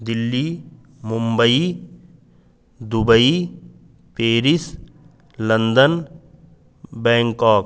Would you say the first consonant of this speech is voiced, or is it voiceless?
voiced